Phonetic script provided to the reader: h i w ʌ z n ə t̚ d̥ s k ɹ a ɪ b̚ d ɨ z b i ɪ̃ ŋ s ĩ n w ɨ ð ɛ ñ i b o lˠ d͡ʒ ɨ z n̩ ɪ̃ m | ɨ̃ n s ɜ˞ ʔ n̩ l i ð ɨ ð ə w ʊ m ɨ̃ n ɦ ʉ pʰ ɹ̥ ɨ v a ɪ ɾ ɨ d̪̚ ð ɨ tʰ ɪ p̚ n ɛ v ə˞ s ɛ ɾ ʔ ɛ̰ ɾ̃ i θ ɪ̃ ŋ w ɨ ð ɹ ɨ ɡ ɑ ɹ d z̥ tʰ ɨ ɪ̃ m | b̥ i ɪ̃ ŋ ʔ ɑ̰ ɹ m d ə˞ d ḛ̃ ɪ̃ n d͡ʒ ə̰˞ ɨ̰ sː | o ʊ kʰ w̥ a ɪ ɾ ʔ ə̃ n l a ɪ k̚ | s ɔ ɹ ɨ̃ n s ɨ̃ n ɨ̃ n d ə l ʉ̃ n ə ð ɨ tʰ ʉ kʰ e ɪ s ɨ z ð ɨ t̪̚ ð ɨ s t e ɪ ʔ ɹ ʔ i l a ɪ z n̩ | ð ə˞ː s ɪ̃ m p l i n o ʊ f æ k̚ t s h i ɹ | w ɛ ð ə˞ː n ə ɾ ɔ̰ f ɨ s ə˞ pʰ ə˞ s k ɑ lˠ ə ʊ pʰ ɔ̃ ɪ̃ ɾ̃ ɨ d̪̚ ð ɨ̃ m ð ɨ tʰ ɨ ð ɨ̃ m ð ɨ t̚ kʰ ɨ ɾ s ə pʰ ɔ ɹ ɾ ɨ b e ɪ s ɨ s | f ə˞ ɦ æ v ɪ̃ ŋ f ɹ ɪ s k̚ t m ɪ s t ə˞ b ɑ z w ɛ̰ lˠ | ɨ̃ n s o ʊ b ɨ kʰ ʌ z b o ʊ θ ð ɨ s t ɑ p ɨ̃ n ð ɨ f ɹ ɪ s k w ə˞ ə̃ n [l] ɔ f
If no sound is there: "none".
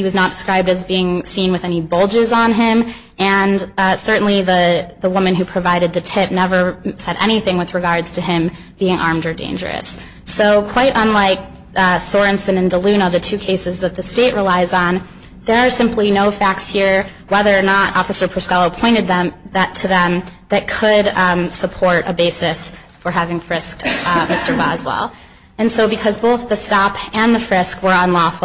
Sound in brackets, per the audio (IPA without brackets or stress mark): l